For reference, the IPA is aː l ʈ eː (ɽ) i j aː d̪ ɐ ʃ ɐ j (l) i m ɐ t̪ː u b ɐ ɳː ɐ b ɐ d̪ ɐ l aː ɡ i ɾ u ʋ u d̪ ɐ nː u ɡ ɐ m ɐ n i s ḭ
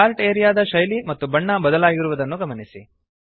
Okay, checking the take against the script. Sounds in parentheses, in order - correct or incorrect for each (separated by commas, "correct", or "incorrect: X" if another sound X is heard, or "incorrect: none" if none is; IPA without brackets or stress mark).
incorrect: ɾ, correct